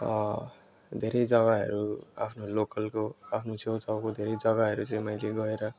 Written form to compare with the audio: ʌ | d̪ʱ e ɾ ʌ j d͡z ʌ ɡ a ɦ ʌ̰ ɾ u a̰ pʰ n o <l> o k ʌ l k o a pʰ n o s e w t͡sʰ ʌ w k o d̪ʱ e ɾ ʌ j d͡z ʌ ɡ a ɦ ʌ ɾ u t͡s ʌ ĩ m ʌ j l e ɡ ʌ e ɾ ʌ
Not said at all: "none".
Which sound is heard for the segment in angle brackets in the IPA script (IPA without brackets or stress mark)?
l